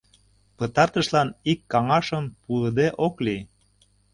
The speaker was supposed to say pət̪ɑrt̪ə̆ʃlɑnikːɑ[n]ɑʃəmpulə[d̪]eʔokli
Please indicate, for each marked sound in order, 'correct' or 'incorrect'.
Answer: incorrect: ŋ, correct

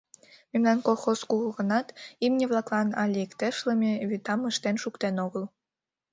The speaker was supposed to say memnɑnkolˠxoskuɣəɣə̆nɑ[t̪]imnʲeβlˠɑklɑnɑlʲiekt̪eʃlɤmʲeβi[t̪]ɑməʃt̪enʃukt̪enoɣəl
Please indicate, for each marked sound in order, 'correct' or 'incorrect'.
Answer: correct, correct

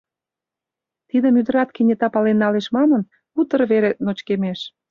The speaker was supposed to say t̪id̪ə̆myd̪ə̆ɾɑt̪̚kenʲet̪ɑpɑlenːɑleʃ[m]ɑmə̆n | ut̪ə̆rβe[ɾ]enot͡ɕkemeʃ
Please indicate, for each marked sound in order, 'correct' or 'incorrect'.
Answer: correct, correct

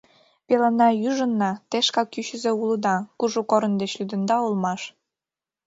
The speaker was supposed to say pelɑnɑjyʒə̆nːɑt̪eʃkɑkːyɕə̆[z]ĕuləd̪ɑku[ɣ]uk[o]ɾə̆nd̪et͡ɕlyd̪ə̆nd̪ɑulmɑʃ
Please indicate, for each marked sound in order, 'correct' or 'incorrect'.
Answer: correct, incorrect: ʒ, correct

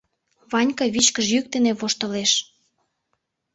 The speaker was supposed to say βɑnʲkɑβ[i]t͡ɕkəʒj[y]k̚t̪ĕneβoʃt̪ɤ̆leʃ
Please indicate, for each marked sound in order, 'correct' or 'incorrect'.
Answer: correct, correct

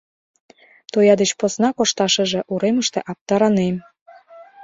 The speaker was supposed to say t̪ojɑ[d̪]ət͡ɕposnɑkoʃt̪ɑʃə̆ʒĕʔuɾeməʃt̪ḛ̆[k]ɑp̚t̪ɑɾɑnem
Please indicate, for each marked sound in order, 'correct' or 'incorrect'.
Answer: correct, incorrect: ʔ

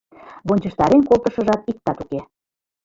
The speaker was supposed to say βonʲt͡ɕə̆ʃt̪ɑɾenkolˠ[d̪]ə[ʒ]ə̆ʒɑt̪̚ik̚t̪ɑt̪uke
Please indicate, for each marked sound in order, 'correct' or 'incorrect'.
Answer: incorrect: t̪, incorrect: ʃ

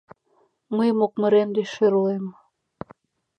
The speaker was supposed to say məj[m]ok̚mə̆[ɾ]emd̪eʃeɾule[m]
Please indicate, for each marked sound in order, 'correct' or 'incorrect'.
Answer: correct, correct, correct

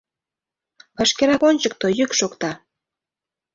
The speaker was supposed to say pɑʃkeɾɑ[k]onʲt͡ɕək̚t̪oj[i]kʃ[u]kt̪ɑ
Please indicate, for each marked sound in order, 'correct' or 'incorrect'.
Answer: correct, incorrect: y, incorrect: o

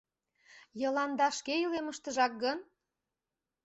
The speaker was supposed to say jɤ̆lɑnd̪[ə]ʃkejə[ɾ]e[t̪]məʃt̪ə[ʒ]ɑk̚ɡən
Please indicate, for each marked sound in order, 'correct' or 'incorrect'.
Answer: incorrect: ɑ, incorrect: l, incorrect: none, correct

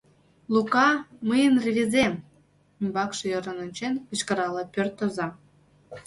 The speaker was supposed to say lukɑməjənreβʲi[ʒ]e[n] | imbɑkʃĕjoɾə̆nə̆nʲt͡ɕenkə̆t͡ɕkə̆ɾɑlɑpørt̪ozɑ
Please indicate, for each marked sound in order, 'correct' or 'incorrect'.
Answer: incorrect: z, incorrect: m

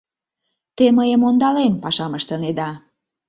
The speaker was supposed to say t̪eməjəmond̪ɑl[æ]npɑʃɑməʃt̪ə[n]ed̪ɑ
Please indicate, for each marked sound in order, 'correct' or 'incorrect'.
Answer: incorrect: e, correct

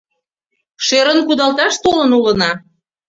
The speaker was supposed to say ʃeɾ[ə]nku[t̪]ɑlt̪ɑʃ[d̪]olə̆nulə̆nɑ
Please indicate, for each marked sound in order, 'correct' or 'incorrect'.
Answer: correct, incorrect: d̪, incorrect: t̪

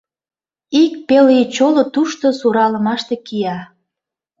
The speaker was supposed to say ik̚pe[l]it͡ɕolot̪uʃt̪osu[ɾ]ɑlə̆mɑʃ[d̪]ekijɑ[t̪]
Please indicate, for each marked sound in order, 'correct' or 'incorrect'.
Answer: correct, correct, incorrect: t̪, incorrect: none

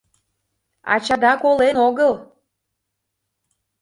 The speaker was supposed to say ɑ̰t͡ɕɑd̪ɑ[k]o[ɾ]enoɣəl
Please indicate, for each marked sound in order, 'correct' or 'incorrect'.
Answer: correct, incorrect: l

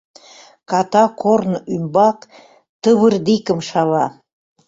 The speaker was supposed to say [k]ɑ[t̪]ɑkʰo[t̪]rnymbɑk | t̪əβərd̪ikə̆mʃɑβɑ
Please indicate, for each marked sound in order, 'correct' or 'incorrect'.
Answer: correct, correct, incorrect: none

